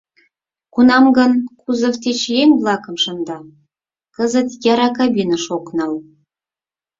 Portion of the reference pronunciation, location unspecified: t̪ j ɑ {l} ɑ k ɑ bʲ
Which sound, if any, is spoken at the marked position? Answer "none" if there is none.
ɾ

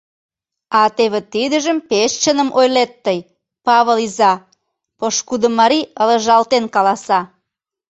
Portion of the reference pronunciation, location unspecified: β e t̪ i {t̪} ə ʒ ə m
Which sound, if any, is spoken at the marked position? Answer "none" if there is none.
d̪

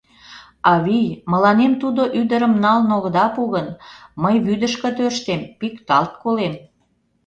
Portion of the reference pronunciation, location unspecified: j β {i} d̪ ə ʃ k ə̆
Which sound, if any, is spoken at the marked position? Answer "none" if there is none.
y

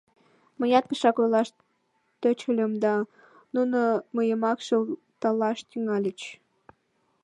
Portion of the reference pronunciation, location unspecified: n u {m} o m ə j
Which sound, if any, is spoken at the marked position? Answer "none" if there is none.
n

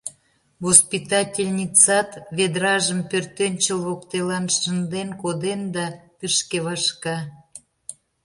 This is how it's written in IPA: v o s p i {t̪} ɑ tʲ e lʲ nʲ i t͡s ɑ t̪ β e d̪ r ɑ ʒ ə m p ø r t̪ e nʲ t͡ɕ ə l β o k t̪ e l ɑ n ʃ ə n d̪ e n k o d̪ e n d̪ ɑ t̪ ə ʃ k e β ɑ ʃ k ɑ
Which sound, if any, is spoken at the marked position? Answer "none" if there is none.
t̪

